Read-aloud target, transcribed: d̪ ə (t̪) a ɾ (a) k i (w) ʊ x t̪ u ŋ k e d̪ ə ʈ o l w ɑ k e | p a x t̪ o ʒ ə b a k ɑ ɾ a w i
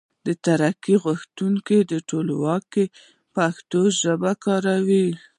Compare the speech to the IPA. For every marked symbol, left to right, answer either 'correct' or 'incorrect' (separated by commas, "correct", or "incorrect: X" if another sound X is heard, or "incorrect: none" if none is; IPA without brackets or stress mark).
correct, correct, incorrect: ɣ